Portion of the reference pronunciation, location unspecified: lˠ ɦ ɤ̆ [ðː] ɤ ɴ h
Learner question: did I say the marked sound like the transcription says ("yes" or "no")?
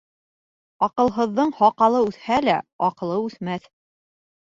yes